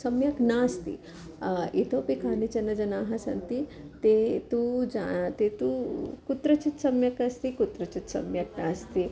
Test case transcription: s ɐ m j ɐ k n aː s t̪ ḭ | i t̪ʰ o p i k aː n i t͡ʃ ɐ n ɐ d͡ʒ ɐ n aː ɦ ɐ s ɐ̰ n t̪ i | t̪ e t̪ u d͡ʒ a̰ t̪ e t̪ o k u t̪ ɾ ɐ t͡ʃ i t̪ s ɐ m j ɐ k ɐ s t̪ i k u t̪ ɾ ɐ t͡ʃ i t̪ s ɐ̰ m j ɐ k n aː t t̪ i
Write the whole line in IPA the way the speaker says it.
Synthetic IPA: s ɐ m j ɐ k n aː s t̪ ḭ | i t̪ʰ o p i k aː n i t͡ʃ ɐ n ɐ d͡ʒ ɐ n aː ɦ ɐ s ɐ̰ n t̪ i | t̪ e t̪ u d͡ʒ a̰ t̪ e t̪ u k u t̪ ɾ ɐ t͡ʃ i t̪ s ɐ m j ɐ k ɐ s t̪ i k u t̪ ɾ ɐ t͡ʃ i t̪ s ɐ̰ m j ɐ k n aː s t̪ i